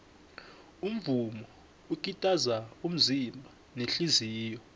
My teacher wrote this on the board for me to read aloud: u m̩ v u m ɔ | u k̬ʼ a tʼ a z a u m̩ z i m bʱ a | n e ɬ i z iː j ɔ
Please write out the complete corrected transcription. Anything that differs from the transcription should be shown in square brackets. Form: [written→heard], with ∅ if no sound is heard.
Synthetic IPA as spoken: u m̩ v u m ɔ | u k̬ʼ [a→i] tʼ a z a u m̩ z i m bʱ a | n e ɬ i z iː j ɔ